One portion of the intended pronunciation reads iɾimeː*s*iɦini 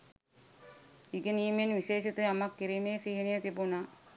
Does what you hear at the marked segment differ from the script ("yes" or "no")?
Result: no